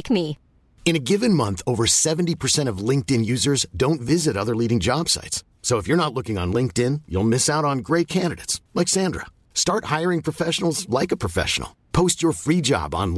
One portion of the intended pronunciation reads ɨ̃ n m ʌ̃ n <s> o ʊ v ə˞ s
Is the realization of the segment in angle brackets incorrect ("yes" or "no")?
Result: yes